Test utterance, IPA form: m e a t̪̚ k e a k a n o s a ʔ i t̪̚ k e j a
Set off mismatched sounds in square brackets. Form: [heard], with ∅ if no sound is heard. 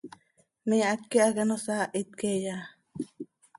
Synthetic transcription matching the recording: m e a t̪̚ k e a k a n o s a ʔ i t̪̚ k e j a